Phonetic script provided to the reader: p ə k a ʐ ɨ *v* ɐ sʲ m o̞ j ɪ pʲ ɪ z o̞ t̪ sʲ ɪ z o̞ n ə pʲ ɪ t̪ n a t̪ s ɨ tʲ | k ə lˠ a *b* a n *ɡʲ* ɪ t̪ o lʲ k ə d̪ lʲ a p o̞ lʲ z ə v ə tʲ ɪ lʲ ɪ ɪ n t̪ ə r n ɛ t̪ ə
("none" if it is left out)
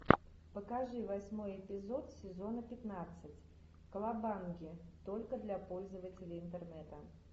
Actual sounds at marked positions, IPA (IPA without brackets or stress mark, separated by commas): v, b, ɡʲ